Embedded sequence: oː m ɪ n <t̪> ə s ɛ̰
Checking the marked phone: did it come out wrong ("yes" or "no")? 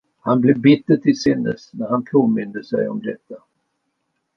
yes